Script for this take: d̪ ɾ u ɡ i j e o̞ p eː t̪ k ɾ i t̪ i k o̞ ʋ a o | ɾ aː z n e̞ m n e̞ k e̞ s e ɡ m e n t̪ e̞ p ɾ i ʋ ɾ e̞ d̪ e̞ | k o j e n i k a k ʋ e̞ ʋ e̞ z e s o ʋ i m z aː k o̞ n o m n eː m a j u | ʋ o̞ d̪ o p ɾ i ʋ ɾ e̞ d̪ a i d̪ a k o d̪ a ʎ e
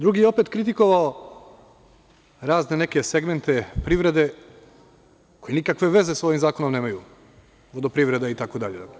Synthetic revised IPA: d̪ ɾ u ɡ i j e o̞ p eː t̪ k ɾ i t̪ i k o̞ ʋ a o | ɾ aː z n e̞ n e̞ k e̞ s e ɡ m e n t̪ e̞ p ɾ i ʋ ɾ e̞ d̪ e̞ | k o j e n i k a k ʋ e̞ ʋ e̞ z e s o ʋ i m z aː k o̞ n o m n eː m a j u | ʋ o̞ d̪ o p ɾ i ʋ ɾ e̞ d̪ a i t̪ a k o d̪ a ʎ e